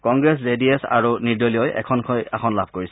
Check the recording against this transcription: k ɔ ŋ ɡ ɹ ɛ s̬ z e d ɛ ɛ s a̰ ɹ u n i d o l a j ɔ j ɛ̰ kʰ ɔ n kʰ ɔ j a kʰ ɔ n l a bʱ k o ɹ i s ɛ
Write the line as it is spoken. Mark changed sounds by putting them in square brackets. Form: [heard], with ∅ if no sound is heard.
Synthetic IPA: k ɔ ŋ ɡ ɹ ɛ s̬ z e d [i] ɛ s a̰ ɹ u n i d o l [i] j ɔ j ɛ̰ kʰ ɔ n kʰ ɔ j a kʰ ɔ n l a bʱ k o ɹ i s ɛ